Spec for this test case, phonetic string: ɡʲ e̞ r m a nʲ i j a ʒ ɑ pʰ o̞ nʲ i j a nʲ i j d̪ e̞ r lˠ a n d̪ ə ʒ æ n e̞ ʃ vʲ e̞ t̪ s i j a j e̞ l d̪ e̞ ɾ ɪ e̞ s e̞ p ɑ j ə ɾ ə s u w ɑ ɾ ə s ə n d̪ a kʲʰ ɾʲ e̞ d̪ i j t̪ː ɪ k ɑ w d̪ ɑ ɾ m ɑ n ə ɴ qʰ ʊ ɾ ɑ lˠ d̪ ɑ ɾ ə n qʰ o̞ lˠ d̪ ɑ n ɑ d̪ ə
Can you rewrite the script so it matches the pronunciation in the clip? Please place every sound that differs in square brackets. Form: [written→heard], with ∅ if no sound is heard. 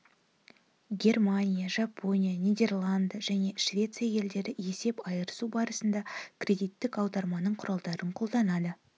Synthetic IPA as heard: ɡʲ e̞ r m a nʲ i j a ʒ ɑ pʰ o̞ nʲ i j a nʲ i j d̪ e̞ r lˠ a n d̪ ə ʒ æ n e̞ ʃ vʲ e̞ t̪ s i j a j e̞ l d̪ e̞ ɾ ɪ e̞ s e̞ p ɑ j ə ɾ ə s u [w→b] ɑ ɾ ə s ə n d̪ [a→ɑ] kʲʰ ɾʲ e̞ d̪ i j t̪ː ɪ k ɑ w d̪ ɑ ɾ m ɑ n ə ɴ qʰ ʊ ɾ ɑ lˠ d̪ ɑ ɾ ə [n→ɴ] qʰ o̞ lˠ d̪ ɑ n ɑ d̪ ə